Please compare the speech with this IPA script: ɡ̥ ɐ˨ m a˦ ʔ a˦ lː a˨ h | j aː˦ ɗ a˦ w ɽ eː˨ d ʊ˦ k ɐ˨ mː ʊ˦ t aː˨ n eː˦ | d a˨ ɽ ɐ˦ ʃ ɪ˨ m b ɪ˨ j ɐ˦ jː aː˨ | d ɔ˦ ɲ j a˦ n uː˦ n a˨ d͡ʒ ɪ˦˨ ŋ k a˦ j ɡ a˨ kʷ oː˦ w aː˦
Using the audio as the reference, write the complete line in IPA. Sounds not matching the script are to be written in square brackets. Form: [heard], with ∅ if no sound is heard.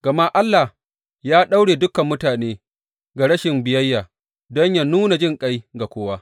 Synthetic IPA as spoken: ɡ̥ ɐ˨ m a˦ ʔ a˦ lː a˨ h | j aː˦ ɗ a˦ w ɽ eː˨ d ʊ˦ k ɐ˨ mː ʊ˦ t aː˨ n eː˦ | [ɡ] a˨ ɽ ɐ˦ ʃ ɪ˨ m b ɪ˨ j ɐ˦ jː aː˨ | d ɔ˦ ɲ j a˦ n uː˦ n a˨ d͡ʒ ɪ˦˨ ŋ [kʼ] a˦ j ɡ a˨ kʷ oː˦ w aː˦